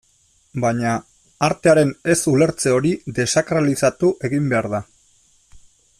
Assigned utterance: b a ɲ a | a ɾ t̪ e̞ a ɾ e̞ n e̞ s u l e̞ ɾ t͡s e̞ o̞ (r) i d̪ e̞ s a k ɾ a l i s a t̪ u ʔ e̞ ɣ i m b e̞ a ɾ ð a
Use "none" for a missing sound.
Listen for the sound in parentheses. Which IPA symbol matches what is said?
ɾ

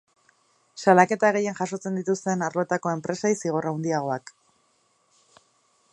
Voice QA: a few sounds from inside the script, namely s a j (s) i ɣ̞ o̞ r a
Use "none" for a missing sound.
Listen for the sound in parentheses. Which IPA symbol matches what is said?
s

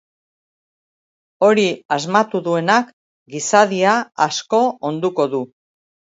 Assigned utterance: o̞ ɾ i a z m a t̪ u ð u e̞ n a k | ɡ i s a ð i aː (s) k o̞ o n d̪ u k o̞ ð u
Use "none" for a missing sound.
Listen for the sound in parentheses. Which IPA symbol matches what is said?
s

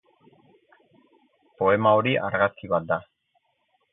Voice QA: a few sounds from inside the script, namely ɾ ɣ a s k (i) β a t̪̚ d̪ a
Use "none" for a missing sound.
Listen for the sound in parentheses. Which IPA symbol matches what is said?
i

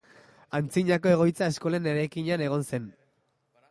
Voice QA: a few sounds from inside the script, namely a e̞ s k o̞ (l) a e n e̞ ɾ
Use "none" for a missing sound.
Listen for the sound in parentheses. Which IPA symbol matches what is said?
l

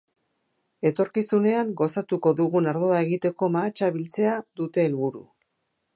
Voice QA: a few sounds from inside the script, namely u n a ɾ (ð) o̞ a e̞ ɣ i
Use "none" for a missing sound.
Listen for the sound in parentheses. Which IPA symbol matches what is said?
ð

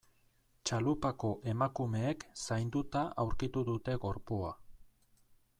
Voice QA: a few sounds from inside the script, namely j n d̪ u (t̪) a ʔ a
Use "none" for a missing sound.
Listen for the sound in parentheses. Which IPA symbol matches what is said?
t̪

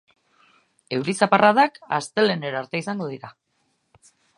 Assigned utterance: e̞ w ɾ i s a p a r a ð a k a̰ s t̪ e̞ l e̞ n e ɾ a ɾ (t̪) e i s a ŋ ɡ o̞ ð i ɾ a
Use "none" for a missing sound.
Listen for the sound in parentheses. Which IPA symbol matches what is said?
t̪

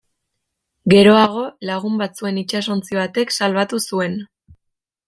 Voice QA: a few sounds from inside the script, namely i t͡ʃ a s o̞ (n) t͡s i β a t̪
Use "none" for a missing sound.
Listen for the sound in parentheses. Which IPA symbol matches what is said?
n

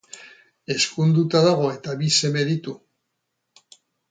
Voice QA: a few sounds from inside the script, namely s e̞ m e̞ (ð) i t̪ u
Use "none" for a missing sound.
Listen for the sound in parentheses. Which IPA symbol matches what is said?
ð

